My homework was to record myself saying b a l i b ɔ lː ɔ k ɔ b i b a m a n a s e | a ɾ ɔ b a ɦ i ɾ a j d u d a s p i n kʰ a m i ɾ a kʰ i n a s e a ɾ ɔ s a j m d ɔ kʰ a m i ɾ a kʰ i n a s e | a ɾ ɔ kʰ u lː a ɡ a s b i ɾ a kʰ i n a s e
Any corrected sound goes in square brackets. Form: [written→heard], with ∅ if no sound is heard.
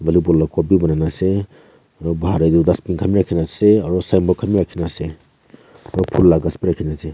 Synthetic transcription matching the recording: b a l i b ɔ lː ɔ k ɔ b i b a [m→n] a n a s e | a ɾ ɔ b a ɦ [i→a] ɾ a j d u d a s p i n kʰ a m i ɾ a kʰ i n a s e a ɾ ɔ s a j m [d→b] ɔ kʰ a m i ɾ a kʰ i n a s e | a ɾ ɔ [kʰ→pʰ] u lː a ɡ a s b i ɾ a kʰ i n a s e